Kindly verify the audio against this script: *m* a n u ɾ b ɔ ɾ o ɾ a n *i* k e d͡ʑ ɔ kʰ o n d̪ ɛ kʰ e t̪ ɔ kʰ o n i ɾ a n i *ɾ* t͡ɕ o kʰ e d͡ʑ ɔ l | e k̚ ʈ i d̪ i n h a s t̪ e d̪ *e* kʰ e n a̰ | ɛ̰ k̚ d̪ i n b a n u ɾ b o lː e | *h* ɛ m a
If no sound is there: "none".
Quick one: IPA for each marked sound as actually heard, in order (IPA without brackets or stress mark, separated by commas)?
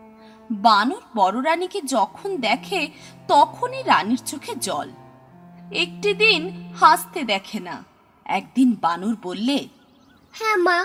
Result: b, i, ɾ, ɛ, h